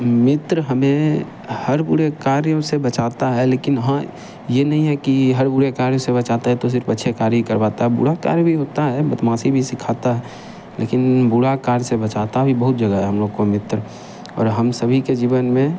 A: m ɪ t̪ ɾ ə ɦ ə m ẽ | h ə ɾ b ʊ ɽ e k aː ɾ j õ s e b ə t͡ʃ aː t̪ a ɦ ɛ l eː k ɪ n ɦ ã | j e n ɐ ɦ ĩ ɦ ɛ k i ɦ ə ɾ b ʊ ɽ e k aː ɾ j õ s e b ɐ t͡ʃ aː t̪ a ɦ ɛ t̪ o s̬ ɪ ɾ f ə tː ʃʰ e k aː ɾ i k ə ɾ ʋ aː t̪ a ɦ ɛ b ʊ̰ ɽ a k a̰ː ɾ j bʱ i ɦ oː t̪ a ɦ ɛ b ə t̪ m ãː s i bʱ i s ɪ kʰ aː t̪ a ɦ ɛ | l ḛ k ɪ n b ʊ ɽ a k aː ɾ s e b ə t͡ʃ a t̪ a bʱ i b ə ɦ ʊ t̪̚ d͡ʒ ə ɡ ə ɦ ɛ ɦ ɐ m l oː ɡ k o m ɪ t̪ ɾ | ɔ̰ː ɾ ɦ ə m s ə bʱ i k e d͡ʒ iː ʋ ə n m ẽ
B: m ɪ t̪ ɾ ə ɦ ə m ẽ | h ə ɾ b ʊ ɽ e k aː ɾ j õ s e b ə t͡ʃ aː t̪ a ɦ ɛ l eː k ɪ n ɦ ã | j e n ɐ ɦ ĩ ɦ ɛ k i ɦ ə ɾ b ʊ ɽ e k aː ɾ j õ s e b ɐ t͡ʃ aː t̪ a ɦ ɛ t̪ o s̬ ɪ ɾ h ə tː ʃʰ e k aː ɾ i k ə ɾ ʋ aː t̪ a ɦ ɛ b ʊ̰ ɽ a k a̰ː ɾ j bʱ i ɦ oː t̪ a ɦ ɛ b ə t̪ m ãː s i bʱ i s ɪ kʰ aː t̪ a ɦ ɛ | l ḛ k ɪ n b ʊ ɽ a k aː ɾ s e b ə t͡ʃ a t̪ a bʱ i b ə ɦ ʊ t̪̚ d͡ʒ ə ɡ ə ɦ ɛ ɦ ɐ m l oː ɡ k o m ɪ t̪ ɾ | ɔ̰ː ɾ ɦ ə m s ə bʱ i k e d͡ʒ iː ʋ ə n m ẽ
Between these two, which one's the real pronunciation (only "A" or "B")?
A